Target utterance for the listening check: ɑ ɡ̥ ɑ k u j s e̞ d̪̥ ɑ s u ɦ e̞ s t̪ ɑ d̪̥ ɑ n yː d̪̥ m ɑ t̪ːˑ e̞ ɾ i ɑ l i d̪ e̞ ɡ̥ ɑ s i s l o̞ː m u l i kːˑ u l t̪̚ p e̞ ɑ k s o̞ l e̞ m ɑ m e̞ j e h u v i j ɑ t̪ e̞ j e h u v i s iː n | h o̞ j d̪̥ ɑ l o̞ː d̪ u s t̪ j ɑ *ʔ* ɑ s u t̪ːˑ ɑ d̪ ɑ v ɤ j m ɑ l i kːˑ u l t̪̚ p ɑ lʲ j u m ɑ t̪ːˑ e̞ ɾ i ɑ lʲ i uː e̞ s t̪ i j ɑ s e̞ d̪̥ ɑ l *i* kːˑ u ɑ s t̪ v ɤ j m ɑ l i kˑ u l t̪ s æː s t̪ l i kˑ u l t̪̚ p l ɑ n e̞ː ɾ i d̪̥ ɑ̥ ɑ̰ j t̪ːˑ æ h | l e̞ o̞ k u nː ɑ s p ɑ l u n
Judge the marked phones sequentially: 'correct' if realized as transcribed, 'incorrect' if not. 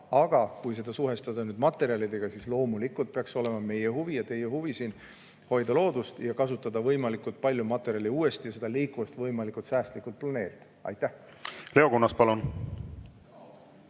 incorrect: k, incorrect: iː

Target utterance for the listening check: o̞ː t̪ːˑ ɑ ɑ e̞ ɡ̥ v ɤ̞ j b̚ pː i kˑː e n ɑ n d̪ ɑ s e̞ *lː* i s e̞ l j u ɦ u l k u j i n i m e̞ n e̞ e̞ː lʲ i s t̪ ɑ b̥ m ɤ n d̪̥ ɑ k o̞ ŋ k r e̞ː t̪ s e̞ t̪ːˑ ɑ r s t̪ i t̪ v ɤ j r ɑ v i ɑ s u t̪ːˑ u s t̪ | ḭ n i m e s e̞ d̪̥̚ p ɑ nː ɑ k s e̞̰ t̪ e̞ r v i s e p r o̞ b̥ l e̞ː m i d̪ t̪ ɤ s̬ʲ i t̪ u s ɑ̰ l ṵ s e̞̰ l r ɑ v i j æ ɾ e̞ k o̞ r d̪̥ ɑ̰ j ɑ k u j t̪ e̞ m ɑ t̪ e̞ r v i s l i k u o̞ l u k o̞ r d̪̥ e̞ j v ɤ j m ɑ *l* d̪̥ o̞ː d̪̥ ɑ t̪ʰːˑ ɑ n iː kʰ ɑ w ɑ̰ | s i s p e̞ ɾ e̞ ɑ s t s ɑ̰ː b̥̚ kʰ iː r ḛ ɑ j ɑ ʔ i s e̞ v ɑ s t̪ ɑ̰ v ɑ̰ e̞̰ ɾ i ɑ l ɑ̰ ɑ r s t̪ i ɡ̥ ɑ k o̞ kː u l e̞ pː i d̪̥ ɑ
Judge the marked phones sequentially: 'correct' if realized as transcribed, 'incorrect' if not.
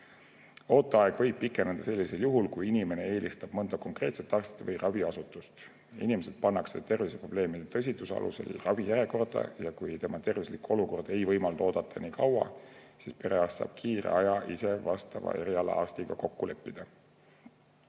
correct, correct

